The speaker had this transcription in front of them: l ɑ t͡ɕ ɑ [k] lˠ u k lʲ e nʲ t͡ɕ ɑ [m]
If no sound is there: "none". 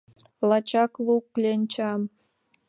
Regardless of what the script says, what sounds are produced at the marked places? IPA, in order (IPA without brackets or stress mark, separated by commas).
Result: k, m